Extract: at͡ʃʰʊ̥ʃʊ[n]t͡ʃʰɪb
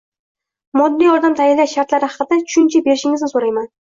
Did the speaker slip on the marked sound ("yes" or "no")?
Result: no